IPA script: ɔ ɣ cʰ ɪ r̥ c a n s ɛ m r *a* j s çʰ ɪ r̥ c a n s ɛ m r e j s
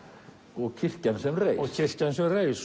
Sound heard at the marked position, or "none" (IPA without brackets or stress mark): e